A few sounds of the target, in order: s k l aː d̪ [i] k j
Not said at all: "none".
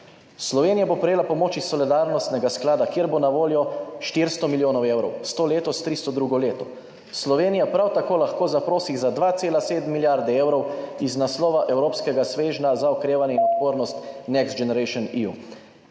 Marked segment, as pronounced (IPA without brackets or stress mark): a